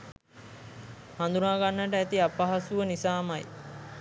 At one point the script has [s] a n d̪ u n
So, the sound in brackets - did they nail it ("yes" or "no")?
no